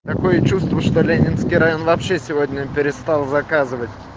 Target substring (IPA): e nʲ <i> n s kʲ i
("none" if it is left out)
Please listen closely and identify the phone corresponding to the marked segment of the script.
ɪ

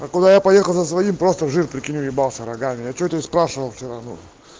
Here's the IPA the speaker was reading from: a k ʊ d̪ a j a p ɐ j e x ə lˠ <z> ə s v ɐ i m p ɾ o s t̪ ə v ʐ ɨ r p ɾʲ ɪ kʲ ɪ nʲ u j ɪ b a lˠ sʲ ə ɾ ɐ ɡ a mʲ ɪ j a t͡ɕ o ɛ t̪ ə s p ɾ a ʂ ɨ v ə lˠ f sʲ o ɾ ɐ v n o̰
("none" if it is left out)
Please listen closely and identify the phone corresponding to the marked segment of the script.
z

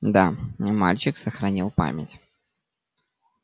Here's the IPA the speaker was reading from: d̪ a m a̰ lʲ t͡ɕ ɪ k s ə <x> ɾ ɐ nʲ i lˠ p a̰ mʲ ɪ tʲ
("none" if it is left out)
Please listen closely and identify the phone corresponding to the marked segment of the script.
x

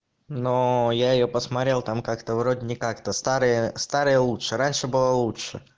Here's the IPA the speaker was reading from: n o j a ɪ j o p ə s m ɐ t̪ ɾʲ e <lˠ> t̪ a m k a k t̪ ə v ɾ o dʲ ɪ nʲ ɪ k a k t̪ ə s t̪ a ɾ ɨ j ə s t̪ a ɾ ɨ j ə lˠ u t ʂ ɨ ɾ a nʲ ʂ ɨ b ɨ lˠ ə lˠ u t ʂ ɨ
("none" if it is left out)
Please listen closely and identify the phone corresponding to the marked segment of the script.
lˠ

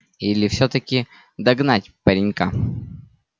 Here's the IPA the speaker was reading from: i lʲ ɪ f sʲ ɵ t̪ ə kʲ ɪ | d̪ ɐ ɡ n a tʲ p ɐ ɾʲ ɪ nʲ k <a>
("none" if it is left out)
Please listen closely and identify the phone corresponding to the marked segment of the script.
a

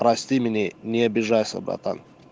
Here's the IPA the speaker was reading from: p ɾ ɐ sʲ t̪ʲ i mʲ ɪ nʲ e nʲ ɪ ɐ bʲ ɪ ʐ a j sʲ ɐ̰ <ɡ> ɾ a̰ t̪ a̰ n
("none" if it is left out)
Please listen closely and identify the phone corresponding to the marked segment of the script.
b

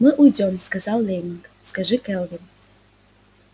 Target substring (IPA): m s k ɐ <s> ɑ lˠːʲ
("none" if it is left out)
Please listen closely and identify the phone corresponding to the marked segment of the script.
z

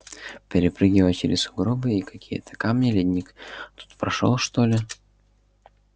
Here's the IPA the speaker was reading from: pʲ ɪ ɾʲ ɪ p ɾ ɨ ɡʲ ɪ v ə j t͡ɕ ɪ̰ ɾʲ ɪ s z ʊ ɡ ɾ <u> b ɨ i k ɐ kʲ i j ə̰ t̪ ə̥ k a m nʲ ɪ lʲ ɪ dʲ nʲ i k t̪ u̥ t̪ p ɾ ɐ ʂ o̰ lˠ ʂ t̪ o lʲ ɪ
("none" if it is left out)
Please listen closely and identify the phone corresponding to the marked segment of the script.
o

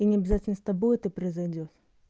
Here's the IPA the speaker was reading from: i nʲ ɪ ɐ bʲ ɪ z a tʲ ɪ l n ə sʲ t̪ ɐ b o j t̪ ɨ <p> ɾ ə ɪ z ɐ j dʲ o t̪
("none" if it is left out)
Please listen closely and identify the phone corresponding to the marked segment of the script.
p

